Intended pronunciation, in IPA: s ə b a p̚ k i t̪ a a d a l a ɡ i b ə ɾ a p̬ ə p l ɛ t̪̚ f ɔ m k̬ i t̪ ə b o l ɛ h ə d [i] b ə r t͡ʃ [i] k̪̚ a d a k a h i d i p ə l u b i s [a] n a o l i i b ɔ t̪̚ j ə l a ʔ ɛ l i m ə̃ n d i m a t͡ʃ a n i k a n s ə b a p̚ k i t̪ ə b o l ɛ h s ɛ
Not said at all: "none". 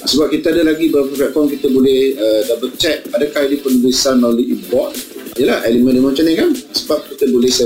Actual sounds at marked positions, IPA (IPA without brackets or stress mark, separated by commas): a, ɛ, a